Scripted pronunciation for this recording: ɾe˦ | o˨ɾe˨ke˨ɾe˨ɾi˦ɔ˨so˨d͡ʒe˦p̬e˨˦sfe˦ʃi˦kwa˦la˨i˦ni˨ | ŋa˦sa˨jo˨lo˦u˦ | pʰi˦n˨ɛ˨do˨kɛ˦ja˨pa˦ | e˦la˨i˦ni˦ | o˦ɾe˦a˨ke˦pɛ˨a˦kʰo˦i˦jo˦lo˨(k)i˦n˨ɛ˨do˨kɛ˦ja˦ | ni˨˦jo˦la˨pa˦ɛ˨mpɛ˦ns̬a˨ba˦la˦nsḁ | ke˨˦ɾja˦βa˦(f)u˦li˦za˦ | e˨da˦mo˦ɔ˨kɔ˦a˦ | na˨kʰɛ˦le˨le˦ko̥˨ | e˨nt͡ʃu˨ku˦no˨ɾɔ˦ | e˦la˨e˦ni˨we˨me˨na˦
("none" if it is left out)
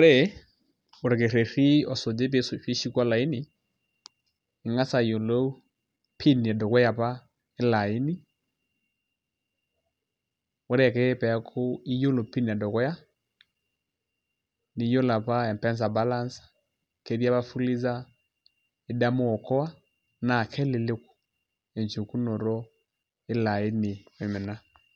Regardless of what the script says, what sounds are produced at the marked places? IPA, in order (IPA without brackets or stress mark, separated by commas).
p, f